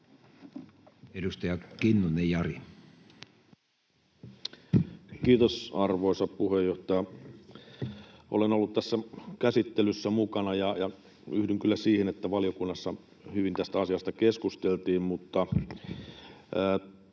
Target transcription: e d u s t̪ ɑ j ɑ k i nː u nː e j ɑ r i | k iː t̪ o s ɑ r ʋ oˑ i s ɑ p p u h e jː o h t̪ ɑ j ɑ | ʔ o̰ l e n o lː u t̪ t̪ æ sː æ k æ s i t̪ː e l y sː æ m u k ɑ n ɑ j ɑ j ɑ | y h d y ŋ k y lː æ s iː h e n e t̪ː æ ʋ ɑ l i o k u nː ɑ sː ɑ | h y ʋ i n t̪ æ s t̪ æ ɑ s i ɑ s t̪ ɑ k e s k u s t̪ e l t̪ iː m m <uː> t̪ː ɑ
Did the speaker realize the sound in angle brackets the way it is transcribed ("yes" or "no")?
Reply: no